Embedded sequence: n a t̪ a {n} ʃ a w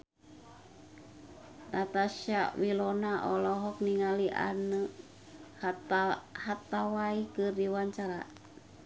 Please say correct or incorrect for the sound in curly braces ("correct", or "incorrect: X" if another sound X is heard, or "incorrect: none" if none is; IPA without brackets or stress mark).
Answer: incorrect: none